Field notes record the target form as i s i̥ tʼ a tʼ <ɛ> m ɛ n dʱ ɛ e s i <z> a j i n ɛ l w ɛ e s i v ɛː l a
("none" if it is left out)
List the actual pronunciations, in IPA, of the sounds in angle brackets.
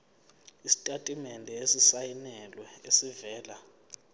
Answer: i, s

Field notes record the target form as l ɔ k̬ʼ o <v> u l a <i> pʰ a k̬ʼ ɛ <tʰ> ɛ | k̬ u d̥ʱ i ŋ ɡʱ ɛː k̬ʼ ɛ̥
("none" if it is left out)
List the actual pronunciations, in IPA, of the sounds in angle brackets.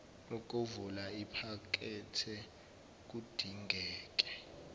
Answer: v, i, tʰ

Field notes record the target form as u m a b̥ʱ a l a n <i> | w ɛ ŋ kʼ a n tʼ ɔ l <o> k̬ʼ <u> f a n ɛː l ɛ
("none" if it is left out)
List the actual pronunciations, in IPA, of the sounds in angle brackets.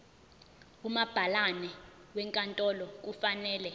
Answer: ɛ, ɔ, u

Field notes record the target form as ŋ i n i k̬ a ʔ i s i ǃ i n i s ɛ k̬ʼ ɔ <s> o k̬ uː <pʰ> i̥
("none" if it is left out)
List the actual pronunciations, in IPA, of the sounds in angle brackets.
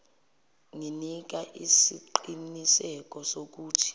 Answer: s, tʰ

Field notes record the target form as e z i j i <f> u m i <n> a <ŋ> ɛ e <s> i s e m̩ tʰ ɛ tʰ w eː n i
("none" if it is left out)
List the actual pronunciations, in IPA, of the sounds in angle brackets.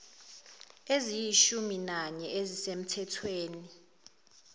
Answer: ʃ, n, ɲ, z

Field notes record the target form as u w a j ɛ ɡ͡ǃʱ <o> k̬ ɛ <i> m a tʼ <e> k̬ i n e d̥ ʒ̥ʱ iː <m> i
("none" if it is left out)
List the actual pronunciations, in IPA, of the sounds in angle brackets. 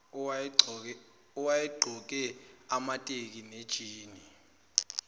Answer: ɔ, a, e, n

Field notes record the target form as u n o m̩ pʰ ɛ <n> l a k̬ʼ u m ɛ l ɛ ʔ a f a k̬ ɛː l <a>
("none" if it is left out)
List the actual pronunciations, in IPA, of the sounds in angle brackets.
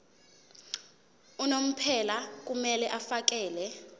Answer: none, ɛ

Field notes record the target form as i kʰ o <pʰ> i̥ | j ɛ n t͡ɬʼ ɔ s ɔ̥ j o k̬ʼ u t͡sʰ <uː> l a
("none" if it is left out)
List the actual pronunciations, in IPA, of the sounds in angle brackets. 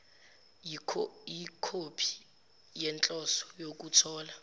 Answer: pʰ, ɔː

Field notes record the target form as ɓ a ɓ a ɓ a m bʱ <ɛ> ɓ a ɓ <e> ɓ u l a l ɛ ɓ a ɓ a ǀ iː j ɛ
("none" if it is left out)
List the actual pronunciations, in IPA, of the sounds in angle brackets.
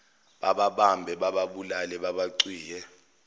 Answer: ɛ, a

